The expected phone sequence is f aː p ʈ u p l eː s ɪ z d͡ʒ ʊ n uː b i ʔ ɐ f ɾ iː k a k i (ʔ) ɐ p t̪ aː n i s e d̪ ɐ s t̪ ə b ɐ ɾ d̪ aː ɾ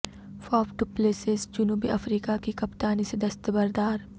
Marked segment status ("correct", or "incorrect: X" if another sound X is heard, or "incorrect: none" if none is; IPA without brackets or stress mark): incorrect: k